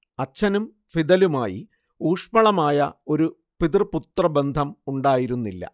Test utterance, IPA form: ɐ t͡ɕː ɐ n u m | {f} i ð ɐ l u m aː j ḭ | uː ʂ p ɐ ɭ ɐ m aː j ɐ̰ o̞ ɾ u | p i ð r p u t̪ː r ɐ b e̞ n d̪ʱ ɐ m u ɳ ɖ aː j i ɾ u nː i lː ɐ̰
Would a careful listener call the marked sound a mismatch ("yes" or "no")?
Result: no